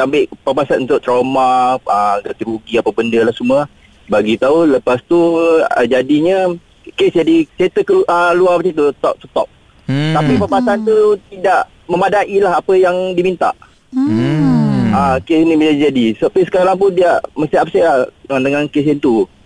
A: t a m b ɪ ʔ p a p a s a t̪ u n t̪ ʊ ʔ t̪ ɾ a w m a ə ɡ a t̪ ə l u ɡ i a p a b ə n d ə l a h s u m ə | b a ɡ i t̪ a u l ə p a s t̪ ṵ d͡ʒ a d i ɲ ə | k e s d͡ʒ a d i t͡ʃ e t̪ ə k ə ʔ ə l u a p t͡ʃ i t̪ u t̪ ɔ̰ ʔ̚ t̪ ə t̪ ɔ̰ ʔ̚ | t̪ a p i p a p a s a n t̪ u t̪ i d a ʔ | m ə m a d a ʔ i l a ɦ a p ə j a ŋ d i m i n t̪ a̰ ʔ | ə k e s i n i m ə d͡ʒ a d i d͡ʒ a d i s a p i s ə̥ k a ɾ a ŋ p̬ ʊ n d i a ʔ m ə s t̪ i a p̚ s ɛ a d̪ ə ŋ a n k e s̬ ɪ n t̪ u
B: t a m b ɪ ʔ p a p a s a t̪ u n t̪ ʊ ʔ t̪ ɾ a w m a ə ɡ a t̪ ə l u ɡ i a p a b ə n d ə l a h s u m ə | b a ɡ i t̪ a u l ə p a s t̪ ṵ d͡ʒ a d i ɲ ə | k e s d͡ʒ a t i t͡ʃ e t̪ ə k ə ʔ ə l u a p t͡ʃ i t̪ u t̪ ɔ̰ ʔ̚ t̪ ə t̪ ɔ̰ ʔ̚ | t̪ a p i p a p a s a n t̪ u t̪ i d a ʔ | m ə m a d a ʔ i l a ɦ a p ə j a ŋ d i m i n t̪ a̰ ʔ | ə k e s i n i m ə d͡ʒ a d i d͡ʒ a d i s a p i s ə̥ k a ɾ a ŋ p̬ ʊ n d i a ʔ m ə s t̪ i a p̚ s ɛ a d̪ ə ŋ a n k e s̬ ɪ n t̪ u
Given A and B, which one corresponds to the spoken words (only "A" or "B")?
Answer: A